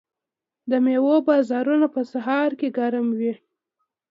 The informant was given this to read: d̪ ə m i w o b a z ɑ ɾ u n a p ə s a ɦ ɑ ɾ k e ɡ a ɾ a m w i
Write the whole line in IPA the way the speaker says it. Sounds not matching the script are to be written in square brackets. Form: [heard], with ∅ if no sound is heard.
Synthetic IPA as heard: d̪ ə m [e] w o b [ɑ] z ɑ ɾ u n a p ə s a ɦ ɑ ɾ k e ɡ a ɾ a m w i